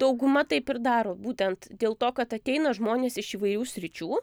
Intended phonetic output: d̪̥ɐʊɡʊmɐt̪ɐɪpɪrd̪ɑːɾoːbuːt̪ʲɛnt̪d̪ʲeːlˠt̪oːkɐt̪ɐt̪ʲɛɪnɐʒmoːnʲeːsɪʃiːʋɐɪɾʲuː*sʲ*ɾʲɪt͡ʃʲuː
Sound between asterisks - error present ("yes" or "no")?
no